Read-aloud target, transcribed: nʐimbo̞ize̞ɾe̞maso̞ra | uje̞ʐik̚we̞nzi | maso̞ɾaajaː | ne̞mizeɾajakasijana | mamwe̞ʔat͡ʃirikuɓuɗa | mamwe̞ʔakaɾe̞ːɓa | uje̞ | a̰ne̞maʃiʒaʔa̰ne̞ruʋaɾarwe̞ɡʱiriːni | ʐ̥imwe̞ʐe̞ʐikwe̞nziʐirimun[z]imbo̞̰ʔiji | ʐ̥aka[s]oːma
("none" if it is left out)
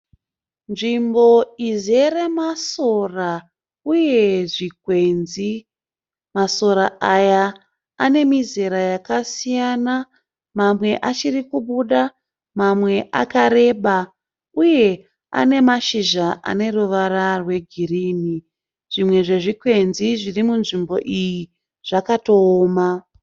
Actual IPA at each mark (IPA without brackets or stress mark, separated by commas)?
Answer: ʐ, t